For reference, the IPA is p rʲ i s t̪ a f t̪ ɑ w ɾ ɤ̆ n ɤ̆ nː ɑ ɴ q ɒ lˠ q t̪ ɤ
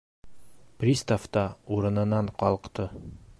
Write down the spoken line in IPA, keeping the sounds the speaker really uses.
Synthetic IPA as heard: p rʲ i s t̪ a f t̪ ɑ u ɾ ɤ̆ n ɤ̆ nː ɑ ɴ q ɒ lˠ q t̪ ɤ